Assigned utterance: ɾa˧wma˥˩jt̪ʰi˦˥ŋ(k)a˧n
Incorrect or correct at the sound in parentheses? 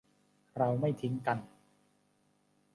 correct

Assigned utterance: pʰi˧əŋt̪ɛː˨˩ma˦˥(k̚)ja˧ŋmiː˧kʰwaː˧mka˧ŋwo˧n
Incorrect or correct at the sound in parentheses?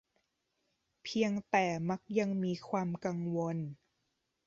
correct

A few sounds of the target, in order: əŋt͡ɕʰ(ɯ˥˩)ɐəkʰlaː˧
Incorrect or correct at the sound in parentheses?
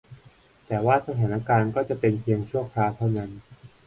incorrect: u˥˩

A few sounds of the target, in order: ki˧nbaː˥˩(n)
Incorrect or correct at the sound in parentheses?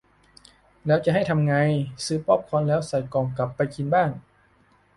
incorrect: ŋ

